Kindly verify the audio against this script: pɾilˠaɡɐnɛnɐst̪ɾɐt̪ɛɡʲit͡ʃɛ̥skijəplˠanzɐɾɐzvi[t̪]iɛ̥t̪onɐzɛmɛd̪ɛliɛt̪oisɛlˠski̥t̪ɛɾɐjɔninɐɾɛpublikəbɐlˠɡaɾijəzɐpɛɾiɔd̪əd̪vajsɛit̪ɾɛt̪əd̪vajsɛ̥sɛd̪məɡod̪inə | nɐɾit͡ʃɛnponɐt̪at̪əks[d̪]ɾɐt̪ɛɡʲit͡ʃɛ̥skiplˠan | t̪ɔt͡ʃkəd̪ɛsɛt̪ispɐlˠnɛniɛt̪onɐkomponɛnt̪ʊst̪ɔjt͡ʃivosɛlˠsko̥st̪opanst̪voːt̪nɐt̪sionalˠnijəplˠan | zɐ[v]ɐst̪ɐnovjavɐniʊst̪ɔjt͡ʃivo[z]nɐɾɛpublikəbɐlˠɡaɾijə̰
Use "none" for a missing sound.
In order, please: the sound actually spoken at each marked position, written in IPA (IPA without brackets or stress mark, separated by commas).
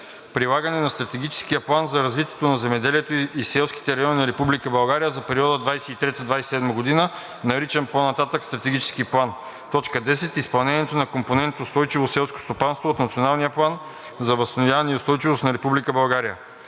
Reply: t̪, t̪, v, s